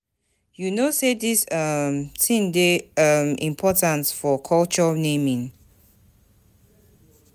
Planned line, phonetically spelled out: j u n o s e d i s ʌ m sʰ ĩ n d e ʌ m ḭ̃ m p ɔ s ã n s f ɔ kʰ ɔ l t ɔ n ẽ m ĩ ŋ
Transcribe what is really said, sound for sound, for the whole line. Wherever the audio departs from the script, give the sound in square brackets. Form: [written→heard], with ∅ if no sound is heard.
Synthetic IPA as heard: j u n o s e d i s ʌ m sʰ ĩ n d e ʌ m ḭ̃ m [p→pʰ] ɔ [s→t] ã n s f ɔ kʰ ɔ l [t→t͡ʃ] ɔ n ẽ m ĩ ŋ

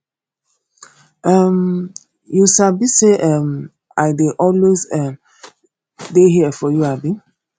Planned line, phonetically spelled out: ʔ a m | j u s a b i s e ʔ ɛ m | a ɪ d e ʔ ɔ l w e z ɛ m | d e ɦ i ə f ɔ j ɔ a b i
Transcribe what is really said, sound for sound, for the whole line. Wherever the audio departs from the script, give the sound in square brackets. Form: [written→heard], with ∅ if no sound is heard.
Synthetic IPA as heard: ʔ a m | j u s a b i s e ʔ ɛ m | a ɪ d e ʔ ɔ l w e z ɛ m | d e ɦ i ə f ɔ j [ɔ→u] a b i

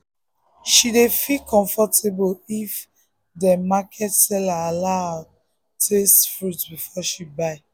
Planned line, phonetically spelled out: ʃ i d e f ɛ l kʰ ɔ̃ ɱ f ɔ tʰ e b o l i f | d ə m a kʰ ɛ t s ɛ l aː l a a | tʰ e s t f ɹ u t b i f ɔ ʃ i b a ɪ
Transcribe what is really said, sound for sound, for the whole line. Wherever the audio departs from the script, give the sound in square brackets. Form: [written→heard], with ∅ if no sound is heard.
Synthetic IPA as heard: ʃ i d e f [ɛ→i] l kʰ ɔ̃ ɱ f ɔ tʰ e b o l i f | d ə m a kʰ ɛ t s ɛ l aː l a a | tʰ e s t f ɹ u t b i f ɔ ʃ i b a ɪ

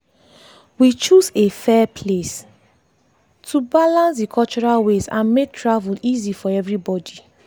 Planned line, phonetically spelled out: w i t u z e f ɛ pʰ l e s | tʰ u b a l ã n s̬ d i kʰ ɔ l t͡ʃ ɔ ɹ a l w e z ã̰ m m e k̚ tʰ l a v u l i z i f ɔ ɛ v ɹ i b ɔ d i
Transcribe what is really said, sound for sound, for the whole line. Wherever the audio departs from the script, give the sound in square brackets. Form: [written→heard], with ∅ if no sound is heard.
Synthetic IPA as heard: w i [t→t͡ʃ] u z e f ɛ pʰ l e s | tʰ u b a l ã n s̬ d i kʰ ɔ l t͡ʃ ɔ ɹ a l w e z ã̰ [m→n] m e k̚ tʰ [l→ɹ] a v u l i z i f ɔ ɛ v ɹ i b ɔ d i

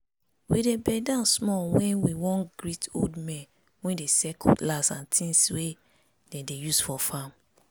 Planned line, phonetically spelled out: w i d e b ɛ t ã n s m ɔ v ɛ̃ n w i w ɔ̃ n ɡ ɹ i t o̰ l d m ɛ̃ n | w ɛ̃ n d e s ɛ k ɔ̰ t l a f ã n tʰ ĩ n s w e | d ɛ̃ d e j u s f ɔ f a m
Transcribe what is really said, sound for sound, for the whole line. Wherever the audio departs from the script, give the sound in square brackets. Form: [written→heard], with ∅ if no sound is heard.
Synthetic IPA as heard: w i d e b ɛ [t→d] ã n s m ɔ [v→w] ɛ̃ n w i w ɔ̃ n ɡ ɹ i t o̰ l d m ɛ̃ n | w ɛ̃ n d e s ɛ k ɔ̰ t l a [f→s] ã n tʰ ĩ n s w e | d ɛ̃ d e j u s f ɔ f a m

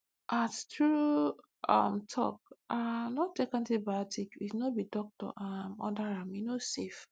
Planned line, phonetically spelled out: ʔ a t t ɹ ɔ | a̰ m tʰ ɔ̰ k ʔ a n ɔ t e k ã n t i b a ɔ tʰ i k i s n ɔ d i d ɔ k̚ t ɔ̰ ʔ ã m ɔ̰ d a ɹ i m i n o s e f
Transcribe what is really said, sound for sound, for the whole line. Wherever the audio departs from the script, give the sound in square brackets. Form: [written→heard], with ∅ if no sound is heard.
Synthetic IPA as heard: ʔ a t t ɹ [ɔ→u] | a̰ m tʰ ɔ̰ k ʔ a n ɔ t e k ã n t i b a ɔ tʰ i k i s n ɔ [d→b] i d ɔ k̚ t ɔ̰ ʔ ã m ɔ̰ d a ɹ [i→a] m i n o s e f

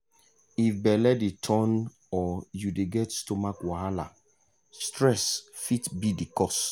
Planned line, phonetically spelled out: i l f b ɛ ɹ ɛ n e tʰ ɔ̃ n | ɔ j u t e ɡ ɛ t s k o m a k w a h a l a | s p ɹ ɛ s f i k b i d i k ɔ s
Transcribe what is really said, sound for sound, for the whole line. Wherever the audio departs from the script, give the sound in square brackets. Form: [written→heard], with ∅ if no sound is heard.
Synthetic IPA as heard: i [l→∅] f b ɛ [ɹ→l] ɛ [n→d] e tʰ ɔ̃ n | ɔ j u [t→d] e ɡ ɛ t s [k→t] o m a k w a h a l a | s [p→t] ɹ ɛ s f i [k→t] b i d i k ɔ s

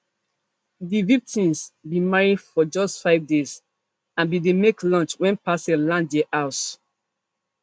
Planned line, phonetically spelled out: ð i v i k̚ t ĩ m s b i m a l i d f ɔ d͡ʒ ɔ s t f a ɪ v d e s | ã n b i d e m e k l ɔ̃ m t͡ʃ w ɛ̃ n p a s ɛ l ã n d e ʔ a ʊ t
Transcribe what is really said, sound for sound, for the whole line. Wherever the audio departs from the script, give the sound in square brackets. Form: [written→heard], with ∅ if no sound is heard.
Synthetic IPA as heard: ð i v i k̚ t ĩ m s b i m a [l→ɹ] i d f ɔ d͡ʒ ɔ s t f a ɪ v d e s | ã n b i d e m e k l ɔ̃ [m→n] t͡ʃ w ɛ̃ n p a s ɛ l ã n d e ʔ a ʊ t

